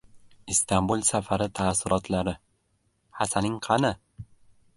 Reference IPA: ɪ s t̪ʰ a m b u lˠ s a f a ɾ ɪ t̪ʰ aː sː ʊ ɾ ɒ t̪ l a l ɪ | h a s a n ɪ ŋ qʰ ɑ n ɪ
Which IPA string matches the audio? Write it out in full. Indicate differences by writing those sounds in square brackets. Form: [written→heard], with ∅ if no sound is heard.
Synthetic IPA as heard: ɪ s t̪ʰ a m b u lˠ s a f a ɾ ɪ t̪ʰ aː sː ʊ ɾ ɒ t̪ l a [l→ɾ] ɪ | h a s a n ɪ ŋ qʰ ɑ n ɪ